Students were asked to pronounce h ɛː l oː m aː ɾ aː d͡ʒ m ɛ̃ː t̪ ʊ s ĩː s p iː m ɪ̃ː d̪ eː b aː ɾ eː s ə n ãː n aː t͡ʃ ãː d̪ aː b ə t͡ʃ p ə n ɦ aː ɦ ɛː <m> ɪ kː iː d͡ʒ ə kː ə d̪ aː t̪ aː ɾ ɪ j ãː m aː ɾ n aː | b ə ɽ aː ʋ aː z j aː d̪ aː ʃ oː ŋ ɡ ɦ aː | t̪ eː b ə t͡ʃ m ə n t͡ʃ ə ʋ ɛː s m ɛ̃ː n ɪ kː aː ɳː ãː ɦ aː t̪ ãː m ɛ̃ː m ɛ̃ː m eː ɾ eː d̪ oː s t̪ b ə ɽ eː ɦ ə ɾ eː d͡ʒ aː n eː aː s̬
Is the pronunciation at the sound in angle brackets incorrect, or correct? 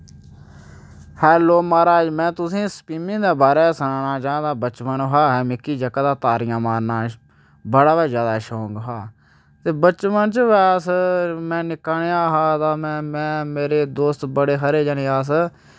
correct